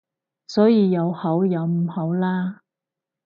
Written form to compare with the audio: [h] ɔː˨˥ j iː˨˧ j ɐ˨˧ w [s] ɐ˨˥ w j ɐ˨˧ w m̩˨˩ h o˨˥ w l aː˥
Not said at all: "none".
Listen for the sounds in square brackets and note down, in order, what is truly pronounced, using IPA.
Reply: s, h

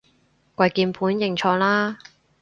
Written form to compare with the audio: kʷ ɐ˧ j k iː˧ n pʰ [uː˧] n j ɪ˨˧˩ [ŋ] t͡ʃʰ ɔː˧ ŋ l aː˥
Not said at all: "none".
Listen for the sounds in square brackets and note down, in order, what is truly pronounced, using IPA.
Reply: uː˨˥, ŋ

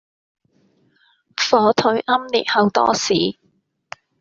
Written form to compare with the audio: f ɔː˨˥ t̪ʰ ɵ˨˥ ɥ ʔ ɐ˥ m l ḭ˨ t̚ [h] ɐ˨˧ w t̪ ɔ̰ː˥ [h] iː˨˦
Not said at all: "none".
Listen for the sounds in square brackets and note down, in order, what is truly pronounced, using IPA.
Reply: h, s

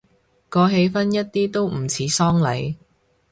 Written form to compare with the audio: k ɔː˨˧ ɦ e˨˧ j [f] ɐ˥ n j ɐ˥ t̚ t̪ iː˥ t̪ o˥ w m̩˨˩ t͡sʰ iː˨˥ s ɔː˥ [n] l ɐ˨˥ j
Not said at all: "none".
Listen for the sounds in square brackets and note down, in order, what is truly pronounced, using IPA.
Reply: f, ŋ

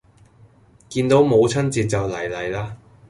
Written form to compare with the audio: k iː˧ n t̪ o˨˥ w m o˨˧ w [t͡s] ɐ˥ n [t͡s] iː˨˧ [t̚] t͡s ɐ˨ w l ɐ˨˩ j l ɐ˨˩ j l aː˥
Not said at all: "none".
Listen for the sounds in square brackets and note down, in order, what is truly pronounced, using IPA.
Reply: t͡sʰ, t͡s, t̚

